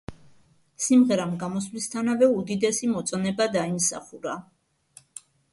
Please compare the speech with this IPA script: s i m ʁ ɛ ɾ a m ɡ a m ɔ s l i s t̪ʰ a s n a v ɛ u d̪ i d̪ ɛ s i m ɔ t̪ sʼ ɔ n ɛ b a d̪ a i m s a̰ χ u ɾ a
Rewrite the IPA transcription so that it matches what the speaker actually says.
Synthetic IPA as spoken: s i m ʁ ɛ ɾ a m ɡ a m ɔ s l i s t̪ʰ a n a v ɛ u d̪ i d̪ ɛ s i m ɔ t̪ sʼ ɔ n ɛ b a d̪ a i m s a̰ χ u ɾ a